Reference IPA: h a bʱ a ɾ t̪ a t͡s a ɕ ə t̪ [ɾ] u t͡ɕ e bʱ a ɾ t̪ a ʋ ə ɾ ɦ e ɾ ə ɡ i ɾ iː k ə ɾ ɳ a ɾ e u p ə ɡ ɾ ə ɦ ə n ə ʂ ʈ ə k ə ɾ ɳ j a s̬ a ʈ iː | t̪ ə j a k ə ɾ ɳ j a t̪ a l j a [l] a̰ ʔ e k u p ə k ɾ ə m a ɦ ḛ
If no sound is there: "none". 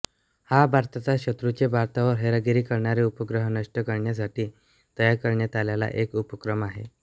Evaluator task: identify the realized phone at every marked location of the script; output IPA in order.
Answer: ɾ, l

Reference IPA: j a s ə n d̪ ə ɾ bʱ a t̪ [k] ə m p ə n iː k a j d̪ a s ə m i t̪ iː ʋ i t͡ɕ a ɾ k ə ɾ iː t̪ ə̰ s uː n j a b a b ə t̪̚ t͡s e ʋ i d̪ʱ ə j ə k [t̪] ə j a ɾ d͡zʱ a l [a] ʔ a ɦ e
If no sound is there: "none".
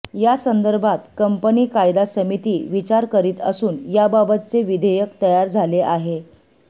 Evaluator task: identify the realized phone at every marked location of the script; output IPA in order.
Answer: k, t̪, e

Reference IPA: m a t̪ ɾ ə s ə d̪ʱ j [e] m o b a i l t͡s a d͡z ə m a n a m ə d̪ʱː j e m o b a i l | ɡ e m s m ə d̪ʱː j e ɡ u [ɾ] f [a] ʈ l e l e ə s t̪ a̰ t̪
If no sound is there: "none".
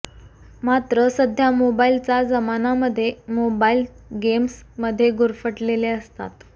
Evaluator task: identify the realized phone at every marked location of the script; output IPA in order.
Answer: a, ɾ, ə

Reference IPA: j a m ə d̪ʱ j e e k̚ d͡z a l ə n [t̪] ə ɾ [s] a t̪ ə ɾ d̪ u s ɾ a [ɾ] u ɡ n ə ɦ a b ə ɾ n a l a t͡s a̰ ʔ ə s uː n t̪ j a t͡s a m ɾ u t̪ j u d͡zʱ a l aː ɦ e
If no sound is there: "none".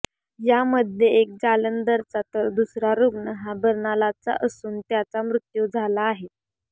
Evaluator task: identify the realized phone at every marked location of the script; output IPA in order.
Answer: d̪, t͡s, ɾ

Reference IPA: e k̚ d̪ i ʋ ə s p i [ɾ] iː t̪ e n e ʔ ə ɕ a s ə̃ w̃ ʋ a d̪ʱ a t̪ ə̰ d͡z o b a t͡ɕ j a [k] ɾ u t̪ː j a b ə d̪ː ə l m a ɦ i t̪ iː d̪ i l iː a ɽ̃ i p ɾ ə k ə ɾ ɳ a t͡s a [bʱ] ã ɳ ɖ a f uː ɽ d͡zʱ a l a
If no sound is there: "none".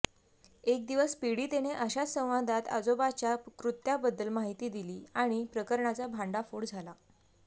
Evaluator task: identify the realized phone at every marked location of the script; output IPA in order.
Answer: ɽ, k, bʱ

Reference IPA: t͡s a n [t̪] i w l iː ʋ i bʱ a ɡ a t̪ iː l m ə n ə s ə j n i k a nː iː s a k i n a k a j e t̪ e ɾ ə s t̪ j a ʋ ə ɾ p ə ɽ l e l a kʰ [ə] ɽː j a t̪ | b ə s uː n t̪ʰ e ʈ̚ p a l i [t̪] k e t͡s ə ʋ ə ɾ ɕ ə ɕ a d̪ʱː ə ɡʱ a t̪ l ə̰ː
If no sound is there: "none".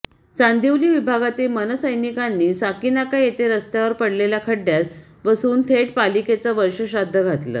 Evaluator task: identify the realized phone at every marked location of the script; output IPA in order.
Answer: d̪, ə, none

